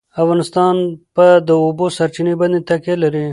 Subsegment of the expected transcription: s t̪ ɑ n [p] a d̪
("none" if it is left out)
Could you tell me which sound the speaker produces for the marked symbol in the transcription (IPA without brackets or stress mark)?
p